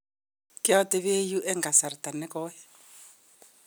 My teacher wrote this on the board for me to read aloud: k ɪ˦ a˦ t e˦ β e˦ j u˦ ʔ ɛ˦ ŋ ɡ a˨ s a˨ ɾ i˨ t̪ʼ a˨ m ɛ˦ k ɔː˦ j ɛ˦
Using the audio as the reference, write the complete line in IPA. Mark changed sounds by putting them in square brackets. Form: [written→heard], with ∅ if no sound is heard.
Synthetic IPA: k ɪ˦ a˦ t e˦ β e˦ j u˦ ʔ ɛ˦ ŋ ɡ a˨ s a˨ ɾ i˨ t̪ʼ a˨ [m→n] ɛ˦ k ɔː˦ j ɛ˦